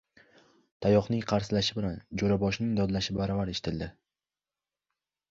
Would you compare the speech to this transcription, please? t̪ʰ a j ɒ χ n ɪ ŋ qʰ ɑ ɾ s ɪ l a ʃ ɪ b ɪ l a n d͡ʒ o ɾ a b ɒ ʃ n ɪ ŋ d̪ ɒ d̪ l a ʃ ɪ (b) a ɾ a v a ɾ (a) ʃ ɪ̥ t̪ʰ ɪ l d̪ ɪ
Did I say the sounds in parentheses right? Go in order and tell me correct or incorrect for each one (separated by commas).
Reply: correct, incorrect